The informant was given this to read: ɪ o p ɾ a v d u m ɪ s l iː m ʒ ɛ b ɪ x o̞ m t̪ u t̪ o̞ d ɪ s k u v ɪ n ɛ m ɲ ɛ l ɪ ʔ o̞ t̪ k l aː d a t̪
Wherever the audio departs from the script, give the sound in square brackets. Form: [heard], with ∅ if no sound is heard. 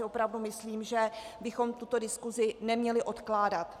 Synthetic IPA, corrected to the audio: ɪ o p ɾ a v d u m ɪ s l iː m ʒ ɛ b ɪ x o̞ m t̪ u t̪ o̞ d ɪ s k u [z] ɪ n ɛ m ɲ ɛ l ɪ ʔ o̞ t̪ k l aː d a t̪

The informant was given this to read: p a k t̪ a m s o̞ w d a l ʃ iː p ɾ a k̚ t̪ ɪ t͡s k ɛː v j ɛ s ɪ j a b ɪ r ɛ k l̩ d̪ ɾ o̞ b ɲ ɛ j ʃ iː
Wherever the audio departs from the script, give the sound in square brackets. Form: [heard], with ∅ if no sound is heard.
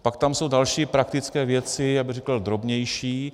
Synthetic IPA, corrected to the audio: p a k t̪ a m s o̞ w d a l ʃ iː p ɾ a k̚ t̪ ɪ t͡s k ɛː v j ɛ [t͡s] ɪ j a b ɪ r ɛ k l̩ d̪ ɾ o̞ b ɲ ɛ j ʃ iː

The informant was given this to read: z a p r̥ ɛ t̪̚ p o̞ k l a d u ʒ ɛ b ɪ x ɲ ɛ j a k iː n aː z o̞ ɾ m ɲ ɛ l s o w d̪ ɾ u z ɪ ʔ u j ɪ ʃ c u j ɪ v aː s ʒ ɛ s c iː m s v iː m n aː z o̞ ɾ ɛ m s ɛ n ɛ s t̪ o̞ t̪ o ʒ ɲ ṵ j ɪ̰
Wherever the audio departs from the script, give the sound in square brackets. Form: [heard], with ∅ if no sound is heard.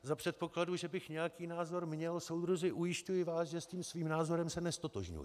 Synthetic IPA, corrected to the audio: z a p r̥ ɛ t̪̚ p o̞ k l a d u ʒ ɛ b ɪ x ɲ ɛ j a k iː n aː z o̞ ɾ m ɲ ɛ l s o w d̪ ɾ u z ɪ ʔ u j ɪ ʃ c u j ɪ v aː s ʒ ɛ s c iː m s v iː m n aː z o̞ ɾ ɛ m s ɛ n ɛ s t̪ o̞ t̪ o ʒ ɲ ṵ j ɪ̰

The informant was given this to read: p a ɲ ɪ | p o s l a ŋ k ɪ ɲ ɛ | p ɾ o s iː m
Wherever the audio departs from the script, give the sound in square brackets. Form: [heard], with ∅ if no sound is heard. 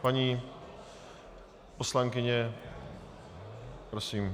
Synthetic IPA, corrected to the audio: p a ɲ [i] | p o s l a ŋ k ɪ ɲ ɛ | p ɾ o s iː m

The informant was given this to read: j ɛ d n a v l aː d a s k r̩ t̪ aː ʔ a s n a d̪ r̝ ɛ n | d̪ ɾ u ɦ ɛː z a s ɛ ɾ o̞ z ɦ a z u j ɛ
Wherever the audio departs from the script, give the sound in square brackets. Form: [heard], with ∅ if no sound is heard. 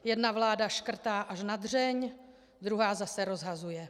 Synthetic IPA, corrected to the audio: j ɛ d n a v l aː d a [ʃ] k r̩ t̪ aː ʔ a [ʃ] n a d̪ r̝ ɛ [ɲ] | d̪ ɾ u ɦ [aː] z a s ɛ ɾ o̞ z ɦ a z u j ɛ

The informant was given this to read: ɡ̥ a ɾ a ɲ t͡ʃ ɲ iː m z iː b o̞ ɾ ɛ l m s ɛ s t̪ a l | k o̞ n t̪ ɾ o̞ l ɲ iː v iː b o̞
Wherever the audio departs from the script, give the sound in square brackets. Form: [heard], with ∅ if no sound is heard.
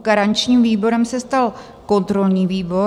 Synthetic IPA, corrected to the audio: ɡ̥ a ɾ a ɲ t͡ʃ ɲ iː m [v] iː b o̞ ɾ ɛ [∅] m s ɛ s t̪ a l | k o̞ n t̪ ɾ o̞ l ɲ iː v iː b o̞

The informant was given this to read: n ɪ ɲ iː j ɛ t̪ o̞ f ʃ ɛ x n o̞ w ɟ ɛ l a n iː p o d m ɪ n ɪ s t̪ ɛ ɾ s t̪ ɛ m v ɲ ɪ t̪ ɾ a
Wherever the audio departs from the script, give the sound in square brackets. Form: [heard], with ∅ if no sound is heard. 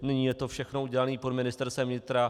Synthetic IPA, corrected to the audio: n ɪ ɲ iː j ɛ t̪ o̞ f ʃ ɛ x n o̞ [u] ɟ ɛ l a n iː p o d m ɪ n ɪ s t̪ ɛ ɾ s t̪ ɛ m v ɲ ɪ t̪ ɾ a

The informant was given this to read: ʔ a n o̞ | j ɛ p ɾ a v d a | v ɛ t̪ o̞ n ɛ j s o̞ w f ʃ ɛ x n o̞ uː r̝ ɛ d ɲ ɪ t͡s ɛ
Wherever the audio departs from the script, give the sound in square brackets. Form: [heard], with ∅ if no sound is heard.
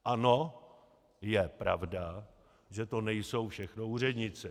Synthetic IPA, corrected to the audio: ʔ a n o̞ | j ɛ p ɾ a v d a | [ʒ] ɛ t̪ o̞ n ɛ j s o̞ w f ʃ ɛ x n o̞ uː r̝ ɛ d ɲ ɪ t͡s ɛ

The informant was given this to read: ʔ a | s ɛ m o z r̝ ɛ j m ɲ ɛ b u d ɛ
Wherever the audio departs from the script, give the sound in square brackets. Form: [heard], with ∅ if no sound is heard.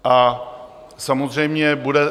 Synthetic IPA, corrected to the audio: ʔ a | s [a] m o z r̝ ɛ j m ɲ ɛ b u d ɛ

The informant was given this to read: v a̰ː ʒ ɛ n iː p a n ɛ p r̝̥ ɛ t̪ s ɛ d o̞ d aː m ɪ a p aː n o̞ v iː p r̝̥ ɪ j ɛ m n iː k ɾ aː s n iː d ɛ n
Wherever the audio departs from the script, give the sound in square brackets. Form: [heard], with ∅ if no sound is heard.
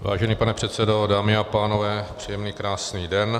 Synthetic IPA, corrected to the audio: v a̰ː ʒ ɛ n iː p a n ɛ p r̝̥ ɛ t̪ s ɛ d o̞ d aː m ɪ a p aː n o̞ v [ɛː] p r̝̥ [i] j ɛ m n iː k ɾ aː s n iː d ɛ n

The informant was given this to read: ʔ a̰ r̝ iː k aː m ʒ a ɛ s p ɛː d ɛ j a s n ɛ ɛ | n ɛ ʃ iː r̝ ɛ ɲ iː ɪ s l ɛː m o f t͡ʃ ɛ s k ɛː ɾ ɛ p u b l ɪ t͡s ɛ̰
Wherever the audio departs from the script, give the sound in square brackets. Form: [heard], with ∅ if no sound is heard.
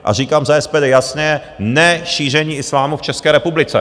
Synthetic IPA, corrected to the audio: ʔ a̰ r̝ iː k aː m [z] a ɛ s p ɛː d ɛ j a s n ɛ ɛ | n ɛ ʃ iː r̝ ɛ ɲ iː ɪ s l [aː] m [u] f t͡ʃ ɛ s k ɛː ɾ ɛ p u b l ɪ t͡s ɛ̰

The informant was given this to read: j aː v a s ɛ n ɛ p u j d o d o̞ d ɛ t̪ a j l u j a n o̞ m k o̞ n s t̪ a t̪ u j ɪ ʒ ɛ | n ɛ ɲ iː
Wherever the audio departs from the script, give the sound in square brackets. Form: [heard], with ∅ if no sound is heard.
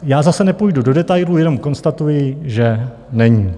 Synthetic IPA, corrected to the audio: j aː [z] a s ɛ n ɛ p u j d [u] d o̞ d ɛ t̪ a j l u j [ɛ] n o̞ m k o̞ n s t̪ a t̪ u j ɪ ʒ ɛ | n ɛ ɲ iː

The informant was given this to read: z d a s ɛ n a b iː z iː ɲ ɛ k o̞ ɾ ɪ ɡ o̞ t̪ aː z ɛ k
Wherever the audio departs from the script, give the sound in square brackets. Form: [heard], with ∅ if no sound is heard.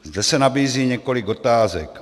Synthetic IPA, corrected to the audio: z d [ɛ] s ɛ n a b iː z iː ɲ ɛ k o̞ [l] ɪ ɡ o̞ t̪ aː z ɛ k

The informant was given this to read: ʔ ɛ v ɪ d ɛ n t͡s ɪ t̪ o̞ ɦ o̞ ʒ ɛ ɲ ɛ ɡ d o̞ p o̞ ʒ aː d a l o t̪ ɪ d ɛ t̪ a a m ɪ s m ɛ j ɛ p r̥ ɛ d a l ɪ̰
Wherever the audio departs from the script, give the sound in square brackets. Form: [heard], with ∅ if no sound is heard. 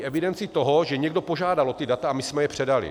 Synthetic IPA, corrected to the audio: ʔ ɛ v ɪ d ɛ n t͡s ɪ t̪ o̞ ɦ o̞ ʒ ɛ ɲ ɛ ɡ d o̞ p o̞ ʒ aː d a l o t̪ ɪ d [a] t̪ a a m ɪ s m ɛ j ɛ p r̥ ɛ d a l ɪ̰

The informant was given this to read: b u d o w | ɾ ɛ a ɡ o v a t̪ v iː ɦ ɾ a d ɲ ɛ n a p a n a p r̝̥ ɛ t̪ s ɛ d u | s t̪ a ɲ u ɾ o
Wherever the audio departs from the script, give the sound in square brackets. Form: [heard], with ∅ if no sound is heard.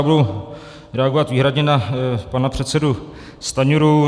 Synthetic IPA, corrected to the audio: b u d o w | ɾ ɛ a ɡ o v a t̪ v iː ɦ ɾ a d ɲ ɛ n a p a n a p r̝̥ ɛ t̪ s ɛ d u | s t̪ a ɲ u ɾ [u]

